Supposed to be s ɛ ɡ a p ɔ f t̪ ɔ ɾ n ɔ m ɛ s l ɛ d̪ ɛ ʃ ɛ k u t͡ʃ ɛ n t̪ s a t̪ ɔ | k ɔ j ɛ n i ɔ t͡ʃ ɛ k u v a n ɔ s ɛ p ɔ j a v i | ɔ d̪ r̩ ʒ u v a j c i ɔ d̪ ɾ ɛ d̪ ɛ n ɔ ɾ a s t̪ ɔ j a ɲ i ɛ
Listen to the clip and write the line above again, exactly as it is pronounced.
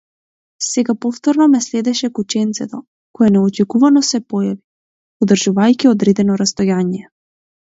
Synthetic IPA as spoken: s ɛ ɡ a p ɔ f t̪ ɔ ɾ n ɔ m ɛ s l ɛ d̪ ɛ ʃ ɛ k u t͡ʃ ɛ n t̪ s ɛ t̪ ɔ | k ɔ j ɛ n ɛ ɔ t͡ʃ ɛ k u v a n ɔ s ɛ p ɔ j a v i | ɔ d̪ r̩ ʒ u v a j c i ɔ d̪ ɾ ɛ d̪ ɛ n ɔ ɾ a s t̪ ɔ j a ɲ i ɛ

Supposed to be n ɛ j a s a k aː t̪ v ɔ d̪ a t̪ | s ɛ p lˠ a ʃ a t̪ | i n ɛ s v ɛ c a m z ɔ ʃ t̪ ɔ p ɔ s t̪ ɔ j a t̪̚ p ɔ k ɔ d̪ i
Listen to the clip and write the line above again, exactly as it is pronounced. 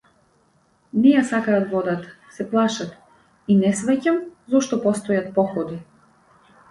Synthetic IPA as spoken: n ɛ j a s a k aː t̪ v ɔ d̪ a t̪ | s ɛ p lˠ a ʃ a t̪ | i n ɛ s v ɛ c a m z ɔ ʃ t̪ ɔ p ɔ s t̪ ɔ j a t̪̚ p ɔ x ɔ d̪ i

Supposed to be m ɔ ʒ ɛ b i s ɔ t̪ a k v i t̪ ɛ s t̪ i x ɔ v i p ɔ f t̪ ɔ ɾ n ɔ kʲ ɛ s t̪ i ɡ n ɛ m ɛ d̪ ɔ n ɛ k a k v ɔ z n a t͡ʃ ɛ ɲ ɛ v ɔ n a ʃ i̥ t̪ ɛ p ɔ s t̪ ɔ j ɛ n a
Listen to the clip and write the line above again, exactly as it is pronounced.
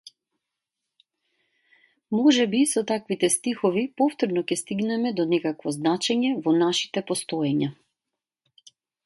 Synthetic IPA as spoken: m ɔ ʒ ɛ b i s ɔ t̪ a k v i t̪ ɛ s t̪ i x ɔ v i p ɔ f t̪ ɔ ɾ n ɔ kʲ ɛ s t̪ i ɡ n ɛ m ɛ d̪ ɔ n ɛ k a k v ɔ z n a t͡ʃ ɛ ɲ ɛ v ɔ n a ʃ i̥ t̪ ɛ p ɔ s t̪ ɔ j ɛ ɲ a

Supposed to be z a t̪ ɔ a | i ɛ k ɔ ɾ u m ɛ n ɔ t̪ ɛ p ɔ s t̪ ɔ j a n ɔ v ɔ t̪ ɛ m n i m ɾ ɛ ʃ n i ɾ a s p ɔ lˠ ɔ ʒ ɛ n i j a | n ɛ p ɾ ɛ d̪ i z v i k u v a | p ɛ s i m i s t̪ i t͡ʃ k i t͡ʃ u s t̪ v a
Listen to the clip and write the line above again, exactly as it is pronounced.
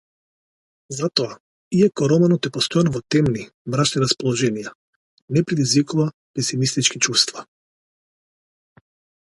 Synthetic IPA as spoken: z a t̪ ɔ a | i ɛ k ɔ ɾ ɔ m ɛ n ɔ t̪ ɛ p ɔ s t̪ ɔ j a n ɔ v ɔ t̪ ɛ m n i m ɾ a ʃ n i ɾ a s p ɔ lˠ ɔ ʒ ɛ n i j a | n ɛ p ɾ ɛ d̪ i z v i k u v a | p ɛ s i m i s t̪ i t͡ʃ k i t͡ʃ u s t̪ v a

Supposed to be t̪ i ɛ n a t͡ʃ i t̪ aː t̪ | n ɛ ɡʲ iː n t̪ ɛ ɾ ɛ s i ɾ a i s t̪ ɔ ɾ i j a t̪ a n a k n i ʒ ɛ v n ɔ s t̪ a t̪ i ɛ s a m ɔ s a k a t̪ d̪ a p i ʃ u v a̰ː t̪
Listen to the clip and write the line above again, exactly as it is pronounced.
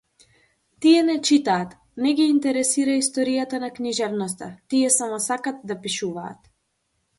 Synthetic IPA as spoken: t̪ i ɛ n ɛ t͡ʃ i t̪ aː t̪ | n ɛ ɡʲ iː n t̪ ɛ ɾ ɛ s i ɾ a i s t̪ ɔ ɾ i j a t̪ a n a k n i ʒ ɛ v n ɔ s t̪ a t̪ i ɛ s a m ɔ s a k a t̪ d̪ a p i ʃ u v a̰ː t̪

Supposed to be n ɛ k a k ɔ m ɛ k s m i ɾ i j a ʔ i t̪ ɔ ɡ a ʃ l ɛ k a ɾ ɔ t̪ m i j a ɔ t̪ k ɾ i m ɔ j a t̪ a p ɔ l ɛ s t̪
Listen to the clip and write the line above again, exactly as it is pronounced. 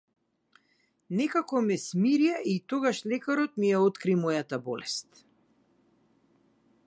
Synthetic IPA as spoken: n ɛ k a k ɔ m ɛ s m i ɾ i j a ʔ i t̪ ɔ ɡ a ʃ l ɛ k a ɾ ɔ t̪ m i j a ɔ t̪ k ɾ i m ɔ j a t̪ a b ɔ l ɛ s t̪

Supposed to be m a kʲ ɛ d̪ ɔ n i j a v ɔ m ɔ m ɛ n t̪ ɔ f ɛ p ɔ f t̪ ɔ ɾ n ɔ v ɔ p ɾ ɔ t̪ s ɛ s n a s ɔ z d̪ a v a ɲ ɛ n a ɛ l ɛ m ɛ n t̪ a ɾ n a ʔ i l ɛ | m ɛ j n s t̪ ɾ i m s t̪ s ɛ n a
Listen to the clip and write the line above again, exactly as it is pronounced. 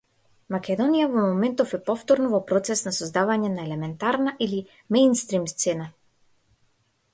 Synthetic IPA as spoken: m a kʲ ɛ d̪ ɔ n i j a v ɔ m ɔ m ɛ n t̪ ɔ f ɛ p ɔ f t̪ ɔ ɾ n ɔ v ɔ p ɾ ɔ t̪ s ɛ s n a s ɔ z d̪ a v a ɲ ɛ n a ɛ l ɛ m ɛ n t̪ a ɾ n a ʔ i l i | m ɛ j n s t̪ ɾ i m s t̪ s ɛ n a

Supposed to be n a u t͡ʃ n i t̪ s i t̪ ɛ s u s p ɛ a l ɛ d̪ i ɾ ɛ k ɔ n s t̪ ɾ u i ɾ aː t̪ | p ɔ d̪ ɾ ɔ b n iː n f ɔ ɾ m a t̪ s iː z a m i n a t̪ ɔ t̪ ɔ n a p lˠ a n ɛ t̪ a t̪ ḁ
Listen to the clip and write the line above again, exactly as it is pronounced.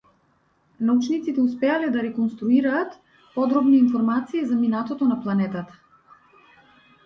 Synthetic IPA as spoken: n a u t͡ʃ n i t̪ s i t̪ ɛ u s p ɛ a l ɛ d̪ a ɾ ɛ k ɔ n s t̪ ɾ u i ɾ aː t̪ | p ɔ d̪ ɾ ɔ b n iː n f ɔ ɾ m a t̪ s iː z a m i n a t̪ ɔ t̪ ɔ n a p lˠ a n ɛ t̪ a t̪ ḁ

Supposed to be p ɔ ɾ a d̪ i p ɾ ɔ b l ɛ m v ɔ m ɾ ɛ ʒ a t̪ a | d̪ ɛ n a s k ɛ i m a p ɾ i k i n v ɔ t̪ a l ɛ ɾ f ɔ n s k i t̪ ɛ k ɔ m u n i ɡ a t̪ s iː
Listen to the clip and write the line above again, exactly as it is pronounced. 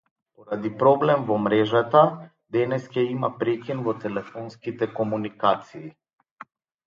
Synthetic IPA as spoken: p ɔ ɾ a d̪ i p ɾ ɔ b l ɛ m v ɔ m ɾ ɛ ʒ a t̪ a | d̪ ɛ n ɛ s k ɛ i m a p ɾ ɛ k i n v ɔ t̪ ɛ l ɛ f ɔ n s k i t̪ ɛ k ɔ m u n i k a t̪ s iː

